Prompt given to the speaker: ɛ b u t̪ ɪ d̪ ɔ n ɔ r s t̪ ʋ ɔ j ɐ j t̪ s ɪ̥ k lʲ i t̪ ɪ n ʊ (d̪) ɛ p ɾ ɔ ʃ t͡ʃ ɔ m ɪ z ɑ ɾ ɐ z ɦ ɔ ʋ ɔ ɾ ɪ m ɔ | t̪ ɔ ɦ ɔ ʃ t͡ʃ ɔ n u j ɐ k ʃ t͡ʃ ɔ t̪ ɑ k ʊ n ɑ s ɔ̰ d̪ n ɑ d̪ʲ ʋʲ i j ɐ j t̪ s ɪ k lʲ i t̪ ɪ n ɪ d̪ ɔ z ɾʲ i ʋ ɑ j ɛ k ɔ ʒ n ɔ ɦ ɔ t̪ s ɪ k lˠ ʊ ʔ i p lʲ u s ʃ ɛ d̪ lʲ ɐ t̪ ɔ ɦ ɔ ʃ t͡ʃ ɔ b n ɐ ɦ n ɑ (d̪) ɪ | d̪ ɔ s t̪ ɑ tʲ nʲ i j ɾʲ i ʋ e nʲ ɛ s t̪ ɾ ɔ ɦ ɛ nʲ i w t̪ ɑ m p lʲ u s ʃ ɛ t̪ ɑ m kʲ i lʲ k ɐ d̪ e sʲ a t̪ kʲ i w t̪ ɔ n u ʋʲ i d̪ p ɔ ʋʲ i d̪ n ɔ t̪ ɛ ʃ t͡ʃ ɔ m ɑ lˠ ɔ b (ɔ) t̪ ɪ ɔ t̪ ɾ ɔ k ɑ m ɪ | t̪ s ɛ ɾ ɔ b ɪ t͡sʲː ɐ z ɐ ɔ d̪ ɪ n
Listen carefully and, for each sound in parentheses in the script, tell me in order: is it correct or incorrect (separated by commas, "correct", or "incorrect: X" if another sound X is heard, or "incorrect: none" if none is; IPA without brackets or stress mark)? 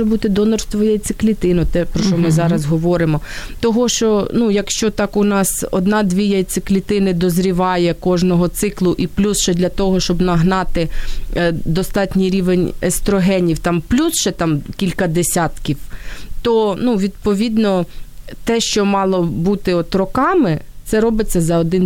incorrect: t̪, incorrect: t̪, incorrect: u